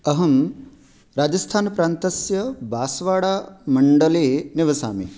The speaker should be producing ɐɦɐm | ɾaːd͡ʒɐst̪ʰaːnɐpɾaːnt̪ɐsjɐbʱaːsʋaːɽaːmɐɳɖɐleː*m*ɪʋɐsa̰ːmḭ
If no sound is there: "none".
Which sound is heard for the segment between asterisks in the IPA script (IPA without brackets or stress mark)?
n